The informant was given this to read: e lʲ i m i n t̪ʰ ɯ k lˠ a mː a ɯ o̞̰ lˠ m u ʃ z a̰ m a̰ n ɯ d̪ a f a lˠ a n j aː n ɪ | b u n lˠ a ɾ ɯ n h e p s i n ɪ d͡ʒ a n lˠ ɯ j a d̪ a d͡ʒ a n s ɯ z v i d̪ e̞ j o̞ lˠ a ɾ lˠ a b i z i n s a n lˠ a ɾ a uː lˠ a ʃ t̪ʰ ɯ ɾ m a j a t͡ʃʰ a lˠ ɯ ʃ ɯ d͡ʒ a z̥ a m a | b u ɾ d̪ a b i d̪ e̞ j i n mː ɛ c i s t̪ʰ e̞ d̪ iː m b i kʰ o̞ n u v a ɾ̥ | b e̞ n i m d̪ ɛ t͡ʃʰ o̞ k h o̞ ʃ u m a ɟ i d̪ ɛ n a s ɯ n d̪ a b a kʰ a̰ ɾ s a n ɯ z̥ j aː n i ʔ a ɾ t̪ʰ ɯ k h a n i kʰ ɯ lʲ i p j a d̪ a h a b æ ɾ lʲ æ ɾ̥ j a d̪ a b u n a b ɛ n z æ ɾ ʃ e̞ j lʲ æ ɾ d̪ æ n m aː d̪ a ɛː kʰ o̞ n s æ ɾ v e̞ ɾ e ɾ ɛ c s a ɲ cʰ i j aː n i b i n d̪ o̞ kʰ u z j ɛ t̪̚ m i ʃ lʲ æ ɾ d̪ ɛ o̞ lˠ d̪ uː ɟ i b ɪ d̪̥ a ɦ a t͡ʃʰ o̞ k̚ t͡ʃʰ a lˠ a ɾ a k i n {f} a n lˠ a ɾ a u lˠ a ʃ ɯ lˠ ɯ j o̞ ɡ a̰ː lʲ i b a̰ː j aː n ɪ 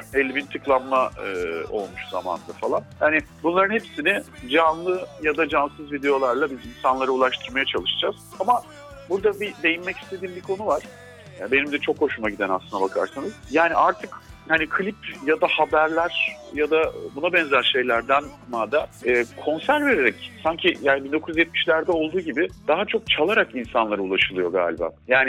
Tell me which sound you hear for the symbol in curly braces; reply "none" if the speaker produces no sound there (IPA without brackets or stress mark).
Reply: s